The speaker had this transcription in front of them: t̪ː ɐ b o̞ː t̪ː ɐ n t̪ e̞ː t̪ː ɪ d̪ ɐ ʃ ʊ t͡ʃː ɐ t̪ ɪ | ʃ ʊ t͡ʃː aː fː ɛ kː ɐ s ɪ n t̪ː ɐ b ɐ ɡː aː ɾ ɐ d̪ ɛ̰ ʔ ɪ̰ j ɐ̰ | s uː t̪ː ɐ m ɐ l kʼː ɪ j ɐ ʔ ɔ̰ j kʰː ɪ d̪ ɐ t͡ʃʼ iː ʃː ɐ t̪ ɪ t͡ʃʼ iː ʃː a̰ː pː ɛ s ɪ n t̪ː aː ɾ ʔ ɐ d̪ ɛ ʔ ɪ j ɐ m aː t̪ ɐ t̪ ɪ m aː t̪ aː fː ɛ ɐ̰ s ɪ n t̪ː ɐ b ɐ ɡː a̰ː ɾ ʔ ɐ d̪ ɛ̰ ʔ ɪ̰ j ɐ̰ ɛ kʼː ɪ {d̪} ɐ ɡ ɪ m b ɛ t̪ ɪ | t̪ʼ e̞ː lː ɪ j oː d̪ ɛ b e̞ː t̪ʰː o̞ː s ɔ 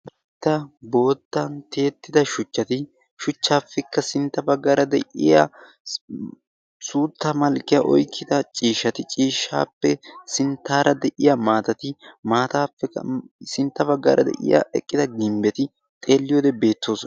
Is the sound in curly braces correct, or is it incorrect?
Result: correct